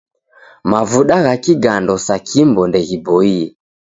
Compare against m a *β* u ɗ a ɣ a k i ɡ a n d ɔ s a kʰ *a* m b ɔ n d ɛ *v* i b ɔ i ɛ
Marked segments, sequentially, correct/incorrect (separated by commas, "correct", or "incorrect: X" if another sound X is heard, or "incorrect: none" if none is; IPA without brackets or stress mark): incorrect: v, incorrect: i, incorrect: ɣ